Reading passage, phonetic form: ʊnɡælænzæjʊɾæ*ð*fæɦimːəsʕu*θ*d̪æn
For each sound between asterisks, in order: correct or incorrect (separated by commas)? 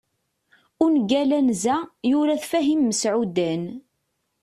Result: incorrect, incorrect